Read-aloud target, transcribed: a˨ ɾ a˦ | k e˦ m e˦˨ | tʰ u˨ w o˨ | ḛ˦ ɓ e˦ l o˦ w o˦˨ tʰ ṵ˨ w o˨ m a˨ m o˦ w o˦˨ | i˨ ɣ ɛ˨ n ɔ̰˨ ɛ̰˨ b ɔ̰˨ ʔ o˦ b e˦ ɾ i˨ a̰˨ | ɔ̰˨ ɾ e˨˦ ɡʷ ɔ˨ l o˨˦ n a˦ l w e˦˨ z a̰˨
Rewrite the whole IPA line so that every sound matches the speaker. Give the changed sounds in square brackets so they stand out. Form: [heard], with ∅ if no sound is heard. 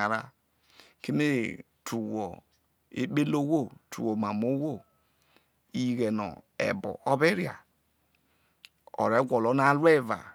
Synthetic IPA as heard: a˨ ɾ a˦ | k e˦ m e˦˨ | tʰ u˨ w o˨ | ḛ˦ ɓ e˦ l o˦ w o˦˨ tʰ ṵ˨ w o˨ m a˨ m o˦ w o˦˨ | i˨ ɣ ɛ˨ n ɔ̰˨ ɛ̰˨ b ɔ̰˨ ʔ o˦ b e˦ ɾ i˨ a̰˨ | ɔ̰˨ ɾ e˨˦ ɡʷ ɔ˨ l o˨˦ n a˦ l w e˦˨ [v] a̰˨